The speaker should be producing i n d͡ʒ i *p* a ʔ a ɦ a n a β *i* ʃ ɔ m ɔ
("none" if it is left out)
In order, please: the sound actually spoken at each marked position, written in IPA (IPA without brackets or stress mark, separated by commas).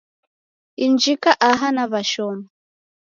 k, a